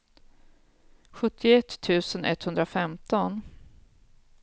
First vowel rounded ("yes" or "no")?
yes